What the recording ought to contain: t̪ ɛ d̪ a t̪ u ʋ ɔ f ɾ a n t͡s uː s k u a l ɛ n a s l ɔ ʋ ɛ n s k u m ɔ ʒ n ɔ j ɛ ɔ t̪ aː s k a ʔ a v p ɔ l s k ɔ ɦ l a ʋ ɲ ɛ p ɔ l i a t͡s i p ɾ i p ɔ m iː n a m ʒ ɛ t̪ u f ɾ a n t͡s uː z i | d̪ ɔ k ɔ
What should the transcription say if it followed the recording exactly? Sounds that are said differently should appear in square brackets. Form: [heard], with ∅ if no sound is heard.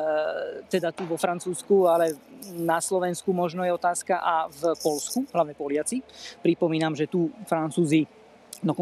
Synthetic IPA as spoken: t̪ ɛ d̪ a t̪ u ʋ ɔ f ɾ a n t͡s uː s k u a l ɛ n a s l ɔ ʋ ɛ n s k u m ɔ ʒ n ɔ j ɛ ɔ t̪ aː s k a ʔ a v p ɔ l s k [u] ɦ l a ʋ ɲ ɛ p ɔ l [ɪ] a t͡s i p ɾ i p ɔ m iː n a m ʒ ɛ t̪ u f ɾ a n t͡s uː z i | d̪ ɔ k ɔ